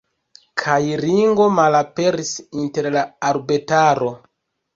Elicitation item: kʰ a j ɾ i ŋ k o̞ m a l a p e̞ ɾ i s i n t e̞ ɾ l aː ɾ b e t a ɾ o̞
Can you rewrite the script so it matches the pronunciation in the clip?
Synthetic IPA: kʰ a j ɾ i ŋ ɡ o̞ m a l a p e̞ ɾ i s i n t e̞ ɾ l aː ɾ b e t a ɾ o̞

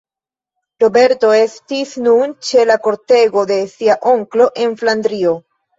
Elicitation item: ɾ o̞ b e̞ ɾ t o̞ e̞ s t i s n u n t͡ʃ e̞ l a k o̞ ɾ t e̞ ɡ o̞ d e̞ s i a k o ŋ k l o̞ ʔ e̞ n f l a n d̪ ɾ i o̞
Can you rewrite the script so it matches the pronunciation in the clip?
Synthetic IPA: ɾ o̞ b e̞ ɾ t o̞ e̞ s t i s n u n t͡ʃ e̞ l a k o̞ ɾ t e̞ ɡ o̞ d e̞ s i a ʔ o ŋ k l o̞ ʔ e̞ n f l a n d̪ ɾ i o̞

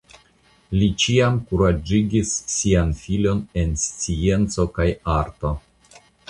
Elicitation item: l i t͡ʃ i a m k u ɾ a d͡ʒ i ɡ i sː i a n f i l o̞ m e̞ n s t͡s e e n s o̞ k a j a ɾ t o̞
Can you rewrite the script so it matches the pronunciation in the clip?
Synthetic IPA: l i t͡ʃ i a m k u ɾ a d͡ʒ i ɡ i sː i a n f i l o̞ n e̞ n s t͡s i e n t͡s o̞ k a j a ɾ t o̞

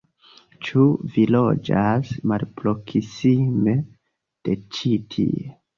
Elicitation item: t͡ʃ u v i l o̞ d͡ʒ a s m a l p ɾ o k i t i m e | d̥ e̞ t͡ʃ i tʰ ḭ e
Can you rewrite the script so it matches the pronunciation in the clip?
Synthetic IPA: t͡ʃ u v i l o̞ d͡ʒ a s m a l p ɾ o k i s i m e | d̥ e̞ t͡ʃ i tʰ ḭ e

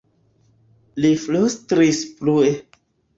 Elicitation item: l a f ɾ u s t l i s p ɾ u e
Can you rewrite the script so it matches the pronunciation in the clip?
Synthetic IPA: l i f l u s t ɾ i s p l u e

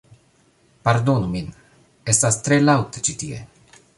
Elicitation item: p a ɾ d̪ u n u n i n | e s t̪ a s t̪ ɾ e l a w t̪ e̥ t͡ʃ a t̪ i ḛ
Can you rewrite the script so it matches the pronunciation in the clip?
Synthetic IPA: p a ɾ d̪ o n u m i n | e s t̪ a s t̪ ɾ e l a w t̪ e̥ t͡ʃ i t̪ i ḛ

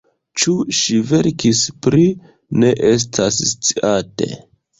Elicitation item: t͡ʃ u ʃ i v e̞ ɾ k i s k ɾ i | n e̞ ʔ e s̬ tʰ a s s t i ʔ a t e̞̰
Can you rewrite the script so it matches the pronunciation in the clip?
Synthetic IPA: t͡ʃ u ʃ i v e̞ ɾ k i s p ɾ i | n e̞ ʔ e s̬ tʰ a s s t͡s i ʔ a t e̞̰

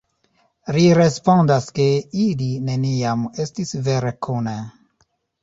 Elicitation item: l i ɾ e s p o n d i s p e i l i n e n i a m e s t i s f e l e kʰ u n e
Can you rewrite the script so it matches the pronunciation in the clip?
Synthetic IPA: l i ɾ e s p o n d a s k e i l i n e n i a m e s t i s v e ɾ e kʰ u n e

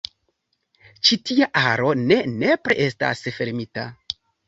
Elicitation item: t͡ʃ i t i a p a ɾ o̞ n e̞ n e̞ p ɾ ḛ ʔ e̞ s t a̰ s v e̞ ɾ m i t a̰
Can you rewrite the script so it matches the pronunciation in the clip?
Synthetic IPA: t͡ʃ i t i a ʔ a ɾ o̞ n e̞ n e̞ p ɾ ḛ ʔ e̞ s t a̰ s f e̞ ɾ m i t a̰

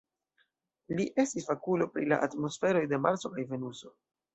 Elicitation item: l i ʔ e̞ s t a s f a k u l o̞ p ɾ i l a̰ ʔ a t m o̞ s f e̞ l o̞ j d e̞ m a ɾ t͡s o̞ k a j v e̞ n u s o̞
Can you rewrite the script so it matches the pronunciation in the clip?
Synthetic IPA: l i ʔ e̞ s t i s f a k u l o̞ p ɾ i l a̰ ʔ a t m o̞ s f e̞ ɾ o̞ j d e̞ m a ɾ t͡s o̞ k a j v e̞ n u s o̞

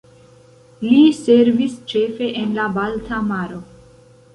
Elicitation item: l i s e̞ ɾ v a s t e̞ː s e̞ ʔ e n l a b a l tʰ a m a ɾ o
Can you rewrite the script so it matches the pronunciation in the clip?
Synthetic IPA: l i s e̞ ɾ v i s t͡ʃ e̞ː f e̞ ʔ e n l a b a l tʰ a m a ɾ o

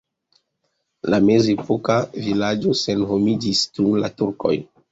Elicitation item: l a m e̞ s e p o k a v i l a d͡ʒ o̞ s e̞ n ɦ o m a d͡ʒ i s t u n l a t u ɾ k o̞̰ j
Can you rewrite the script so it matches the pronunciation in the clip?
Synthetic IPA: l a m e̞ z e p o k a v i l a d͡ʒ o̞ s e̞ n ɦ o m i d͡ʒ i s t u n l a t u ɾ k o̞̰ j

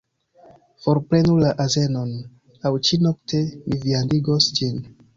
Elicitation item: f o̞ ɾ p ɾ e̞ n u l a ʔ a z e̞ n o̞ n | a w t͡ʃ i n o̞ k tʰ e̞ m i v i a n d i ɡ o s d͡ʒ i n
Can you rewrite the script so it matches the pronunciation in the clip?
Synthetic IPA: f o̞ ɾ p ɾ e̞ n u l a ʔ a z e̞ n o̞ n | a w t͡ʃ i n o̞ k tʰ e̞ m i v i a n d i ɡ o s d͡ʒ i n

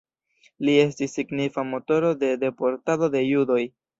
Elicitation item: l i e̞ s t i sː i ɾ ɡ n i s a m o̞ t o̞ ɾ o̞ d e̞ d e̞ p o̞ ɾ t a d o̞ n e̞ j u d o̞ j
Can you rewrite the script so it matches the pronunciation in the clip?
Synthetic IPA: l i e̞ s t i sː i ɡ n i f a m o̞ t o̞ ɾ o̞ d e̞ d e̞ p o̞ ɾ t a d o̞ d e̞ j u d o̞ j

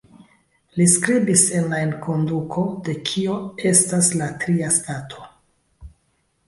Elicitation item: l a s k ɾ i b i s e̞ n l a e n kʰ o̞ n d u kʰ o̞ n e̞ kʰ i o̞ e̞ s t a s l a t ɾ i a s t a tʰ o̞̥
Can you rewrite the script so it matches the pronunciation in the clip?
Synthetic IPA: l i s k ɾ i b i s e̞ n l a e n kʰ o̞ n d u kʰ o̞ d e̞ kʰ i o̞ e̞ s t a s l a t ɾ i a s t a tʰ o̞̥

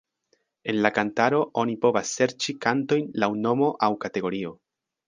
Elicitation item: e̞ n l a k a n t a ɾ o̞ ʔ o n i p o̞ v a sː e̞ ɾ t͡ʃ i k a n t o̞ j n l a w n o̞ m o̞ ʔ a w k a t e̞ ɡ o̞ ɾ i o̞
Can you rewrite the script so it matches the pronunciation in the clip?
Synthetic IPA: e̞ n l a k a n t a ɾ o̞ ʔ o n i p o̞ v a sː e̞ ɾ t͡ʃ i k a n t o̞ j n l a w n o̞ m o̞ ʔ a w k a t e̞ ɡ o̞ ɾ i o̞

